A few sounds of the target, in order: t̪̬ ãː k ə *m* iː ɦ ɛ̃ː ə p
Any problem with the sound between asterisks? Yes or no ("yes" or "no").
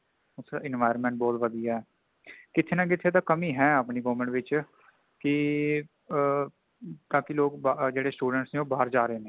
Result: no